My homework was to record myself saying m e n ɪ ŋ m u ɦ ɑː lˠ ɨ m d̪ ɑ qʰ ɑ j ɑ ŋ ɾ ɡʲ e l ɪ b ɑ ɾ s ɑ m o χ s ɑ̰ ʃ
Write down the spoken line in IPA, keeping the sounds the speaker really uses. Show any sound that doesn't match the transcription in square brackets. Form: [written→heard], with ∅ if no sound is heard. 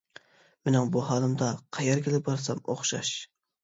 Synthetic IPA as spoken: m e n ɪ ŋ [m→b] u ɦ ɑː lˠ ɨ m d̪ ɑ qʰ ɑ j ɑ [ŋ→∅] ɾ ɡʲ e l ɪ b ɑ ɾ s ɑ m o χ [s→ʃ] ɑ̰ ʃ

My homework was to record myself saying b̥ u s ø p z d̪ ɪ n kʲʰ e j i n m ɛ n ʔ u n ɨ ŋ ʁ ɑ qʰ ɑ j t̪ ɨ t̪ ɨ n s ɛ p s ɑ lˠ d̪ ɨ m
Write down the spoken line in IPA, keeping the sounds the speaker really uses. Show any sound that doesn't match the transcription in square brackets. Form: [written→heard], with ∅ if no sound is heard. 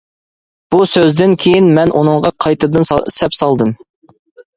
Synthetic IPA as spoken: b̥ u s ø [p→∅] z d̪ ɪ n kʲʰ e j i n m ɛ n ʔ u n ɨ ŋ ʁ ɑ qʰ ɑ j t̪ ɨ [t̪→d̪] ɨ n s ɛ p s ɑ lˠ d̪ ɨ m

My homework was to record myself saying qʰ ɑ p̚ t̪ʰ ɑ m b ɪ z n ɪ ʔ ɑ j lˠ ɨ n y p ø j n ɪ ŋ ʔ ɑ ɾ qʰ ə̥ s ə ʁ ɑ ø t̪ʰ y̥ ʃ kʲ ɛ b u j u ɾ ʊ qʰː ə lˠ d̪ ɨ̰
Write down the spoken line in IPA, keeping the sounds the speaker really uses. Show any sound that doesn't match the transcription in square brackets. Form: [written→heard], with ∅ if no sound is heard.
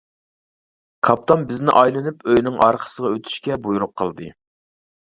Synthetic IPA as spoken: [qʰ→kʰ] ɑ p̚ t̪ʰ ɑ m b ɪ z n ɪ ʔ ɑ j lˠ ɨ n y p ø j n ɪ ŋ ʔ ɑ ɾ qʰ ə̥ s ə ʁ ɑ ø t̪ʰ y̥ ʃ kʲ ɛ b u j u ɾ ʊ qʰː ə lˠ d̪ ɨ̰

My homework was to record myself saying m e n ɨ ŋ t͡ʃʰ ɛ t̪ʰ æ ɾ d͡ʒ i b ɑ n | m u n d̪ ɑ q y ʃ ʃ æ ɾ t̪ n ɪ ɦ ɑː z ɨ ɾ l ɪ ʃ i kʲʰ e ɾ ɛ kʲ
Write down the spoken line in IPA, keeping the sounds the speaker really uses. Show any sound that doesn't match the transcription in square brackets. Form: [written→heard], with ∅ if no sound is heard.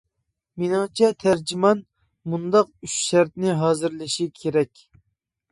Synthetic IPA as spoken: m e n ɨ ŋ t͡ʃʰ ɛ t̪ʰ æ ɾ d͡ʒ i [b→m] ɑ n | m u n d̪ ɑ q y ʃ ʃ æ ɾ t̪ n ɪ ɦ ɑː z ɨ ɾ l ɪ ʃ i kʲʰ e ɾ ɛ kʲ

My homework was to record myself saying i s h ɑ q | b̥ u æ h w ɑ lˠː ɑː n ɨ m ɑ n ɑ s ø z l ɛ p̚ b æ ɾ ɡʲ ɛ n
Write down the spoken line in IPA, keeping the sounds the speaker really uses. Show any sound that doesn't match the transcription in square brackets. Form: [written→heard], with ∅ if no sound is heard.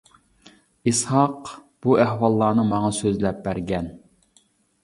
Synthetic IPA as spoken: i s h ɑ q | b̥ u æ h w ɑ lˠː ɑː n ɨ m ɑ [n→ŋ] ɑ s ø z l ɛ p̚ b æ ɾ ɡʲ ɛ n

